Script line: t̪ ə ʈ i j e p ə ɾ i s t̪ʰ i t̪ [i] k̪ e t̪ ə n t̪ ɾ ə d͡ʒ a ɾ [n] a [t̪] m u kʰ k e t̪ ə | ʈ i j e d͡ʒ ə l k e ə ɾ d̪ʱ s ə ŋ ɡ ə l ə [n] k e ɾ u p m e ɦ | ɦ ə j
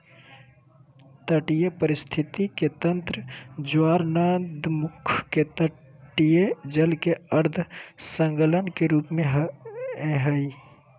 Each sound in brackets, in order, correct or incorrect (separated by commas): correct, correct, incorrect, correct